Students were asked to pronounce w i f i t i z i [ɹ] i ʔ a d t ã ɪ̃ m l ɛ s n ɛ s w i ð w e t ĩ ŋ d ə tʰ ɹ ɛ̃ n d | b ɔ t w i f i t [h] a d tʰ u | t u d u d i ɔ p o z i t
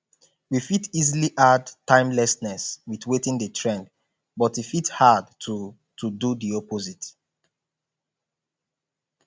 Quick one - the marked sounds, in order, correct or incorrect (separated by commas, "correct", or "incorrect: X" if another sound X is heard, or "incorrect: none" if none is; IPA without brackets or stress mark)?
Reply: incorrect: l, correct